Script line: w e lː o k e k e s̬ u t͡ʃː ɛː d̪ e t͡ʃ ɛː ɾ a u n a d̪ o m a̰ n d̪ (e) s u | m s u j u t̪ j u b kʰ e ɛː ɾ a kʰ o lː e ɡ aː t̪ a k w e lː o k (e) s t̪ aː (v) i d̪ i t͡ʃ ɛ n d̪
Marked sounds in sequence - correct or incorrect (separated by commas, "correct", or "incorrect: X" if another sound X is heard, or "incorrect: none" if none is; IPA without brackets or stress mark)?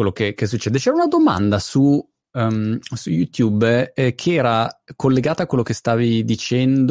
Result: incorrect: a, correct, correct